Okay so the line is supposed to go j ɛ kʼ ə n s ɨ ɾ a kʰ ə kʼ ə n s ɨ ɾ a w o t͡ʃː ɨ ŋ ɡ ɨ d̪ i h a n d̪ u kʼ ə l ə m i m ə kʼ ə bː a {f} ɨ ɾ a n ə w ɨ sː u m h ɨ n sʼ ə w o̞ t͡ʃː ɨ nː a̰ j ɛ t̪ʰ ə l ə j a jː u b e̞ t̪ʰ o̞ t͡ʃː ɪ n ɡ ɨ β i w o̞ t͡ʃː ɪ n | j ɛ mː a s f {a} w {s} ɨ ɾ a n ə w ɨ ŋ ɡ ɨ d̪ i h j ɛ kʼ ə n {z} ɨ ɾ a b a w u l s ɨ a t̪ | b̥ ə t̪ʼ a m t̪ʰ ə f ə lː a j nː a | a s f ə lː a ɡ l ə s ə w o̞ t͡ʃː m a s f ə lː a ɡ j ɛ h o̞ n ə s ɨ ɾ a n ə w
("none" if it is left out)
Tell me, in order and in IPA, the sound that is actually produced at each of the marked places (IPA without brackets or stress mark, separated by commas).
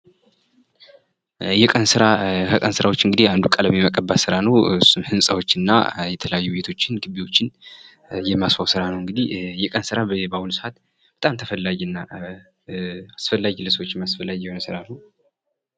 s, a, s, s